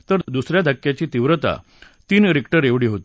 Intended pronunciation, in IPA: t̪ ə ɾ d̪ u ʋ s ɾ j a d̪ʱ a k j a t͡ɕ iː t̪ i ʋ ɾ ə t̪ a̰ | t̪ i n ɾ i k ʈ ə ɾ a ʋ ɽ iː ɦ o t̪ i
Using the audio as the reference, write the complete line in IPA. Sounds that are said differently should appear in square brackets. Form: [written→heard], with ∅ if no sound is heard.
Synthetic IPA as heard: t̪ ə ɾ d̪ u [ʋ→∅] s ɾ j a d̪ʱ a k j a t͡ɕ iː t̪ i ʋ ɾ ə t̪ a̰ | t̪ [i→iː] n ɾ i k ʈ ə ɾ [a→e] ʋ ɽ iː ɦ o t̪ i